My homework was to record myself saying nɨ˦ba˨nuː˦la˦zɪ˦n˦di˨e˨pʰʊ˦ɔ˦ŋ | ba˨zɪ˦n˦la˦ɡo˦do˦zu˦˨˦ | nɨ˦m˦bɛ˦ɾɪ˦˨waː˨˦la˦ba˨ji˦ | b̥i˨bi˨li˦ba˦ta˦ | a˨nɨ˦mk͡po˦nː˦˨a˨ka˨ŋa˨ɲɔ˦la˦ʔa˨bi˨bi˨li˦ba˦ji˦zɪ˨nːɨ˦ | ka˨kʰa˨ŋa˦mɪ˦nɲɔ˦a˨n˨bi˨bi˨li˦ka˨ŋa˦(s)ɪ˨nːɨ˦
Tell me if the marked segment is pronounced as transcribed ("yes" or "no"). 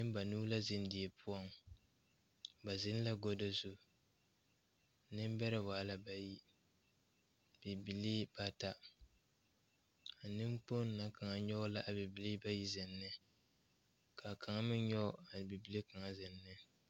no